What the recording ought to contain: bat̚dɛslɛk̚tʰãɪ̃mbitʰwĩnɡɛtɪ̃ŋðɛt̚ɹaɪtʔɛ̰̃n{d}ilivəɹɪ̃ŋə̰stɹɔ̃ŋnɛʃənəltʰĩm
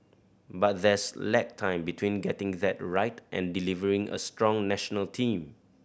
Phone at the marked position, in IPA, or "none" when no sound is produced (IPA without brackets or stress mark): d